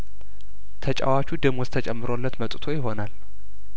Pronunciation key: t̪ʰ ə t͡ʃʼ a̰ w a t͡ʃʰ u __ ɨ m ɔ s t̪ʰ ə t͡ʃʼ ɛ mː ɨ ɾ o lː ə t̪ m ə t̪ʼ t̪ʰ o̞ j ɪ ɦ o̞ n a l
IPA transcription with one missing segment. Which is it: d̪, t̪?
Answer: d̪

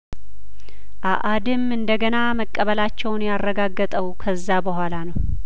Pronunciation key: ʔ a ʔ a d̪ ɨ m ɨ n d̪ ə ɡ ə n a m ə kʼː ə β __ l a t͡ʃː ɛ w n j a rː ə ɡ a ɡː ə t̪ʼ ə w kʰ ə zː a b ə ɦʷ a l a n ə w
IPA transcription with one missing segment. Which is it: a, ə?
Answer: ə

